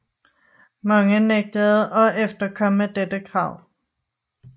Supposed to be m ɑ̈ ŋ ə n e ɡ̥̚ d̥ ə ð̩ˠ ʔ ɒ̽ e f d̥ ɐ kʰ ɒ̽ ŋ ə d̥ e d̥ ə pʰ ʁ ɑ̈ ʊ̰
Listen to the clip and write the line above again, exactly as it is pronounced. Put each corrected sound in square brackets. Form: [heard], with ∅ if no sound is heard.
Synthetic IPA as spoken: m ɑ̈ ŋ ə n e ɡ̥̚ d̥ ə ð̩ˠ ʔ ɒ̽ e f d̥ ɐ kʰ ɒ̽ [m] ə d̥ e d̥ ə [kʰ] ʁ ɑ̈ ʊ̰